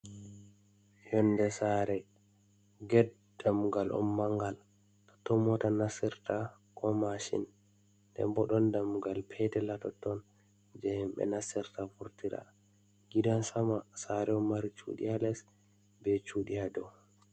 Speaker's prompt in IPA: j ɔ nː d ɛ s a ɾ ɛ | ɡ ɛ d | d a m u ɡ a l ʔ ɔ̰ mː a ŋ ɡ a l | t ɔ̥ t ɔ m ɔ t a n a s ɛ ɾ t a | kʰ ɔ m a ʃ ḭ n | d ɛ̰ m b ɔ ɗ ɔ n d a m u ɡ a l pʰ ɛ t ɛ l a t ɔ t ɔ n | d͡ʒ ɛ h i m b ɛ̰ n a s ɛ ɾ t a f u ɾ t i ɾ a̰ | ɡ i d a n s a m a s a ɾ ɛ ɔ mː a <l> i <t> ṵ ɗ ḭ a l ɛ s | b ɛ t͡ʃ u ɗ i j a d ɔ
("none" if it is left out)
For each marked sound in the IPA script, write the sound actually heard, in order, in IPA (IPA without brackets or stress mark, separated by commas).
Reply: ɾ, t͡ʃ